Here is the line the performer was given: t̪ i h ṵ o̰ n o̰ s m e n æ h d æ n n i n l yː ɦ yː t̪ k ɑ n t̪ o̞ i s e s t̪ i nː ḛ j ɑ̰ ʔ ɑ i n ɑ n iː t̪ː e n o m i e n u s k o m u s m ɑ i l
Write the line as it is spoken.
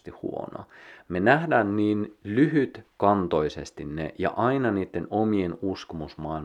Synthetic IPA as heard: t̪ i h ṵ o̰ n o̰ m e n æ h d æː n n iː n l y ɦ y t̪ k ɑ n t̪ o̞ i s e s t̪ i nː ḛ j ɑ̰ ʔ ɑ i n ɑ n iː t̪ː e n o m i e n u s k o m u s m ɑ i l